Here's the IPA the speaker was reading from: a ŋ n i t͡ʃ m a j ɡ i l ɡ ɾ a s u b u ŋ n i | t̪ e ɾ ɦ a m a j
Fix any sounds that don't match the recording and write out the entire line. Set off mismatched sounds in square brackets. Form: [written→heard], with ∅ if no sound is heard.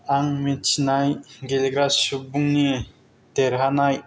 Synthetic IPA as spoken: a ŋ [n→m] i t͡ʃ [m→n] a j ɡ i l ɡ ɾ a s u b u ŋ n i | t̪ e ɾ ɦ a [m→n] a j